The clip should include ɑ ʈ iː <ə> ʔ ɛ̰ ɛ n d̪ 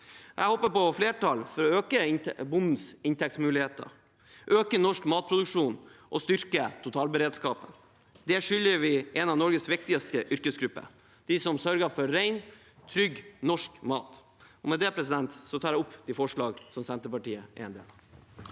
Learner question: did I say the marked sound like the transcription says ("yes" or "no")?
yes